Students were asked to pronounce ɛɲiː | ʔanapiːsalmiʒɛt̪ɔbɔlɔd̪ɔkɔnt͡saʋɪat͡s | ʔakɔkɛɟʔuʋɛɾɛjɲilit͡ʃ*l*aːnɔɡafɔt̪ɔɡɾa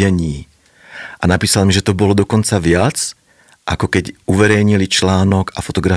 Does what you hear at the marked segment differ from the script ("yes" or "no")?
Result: no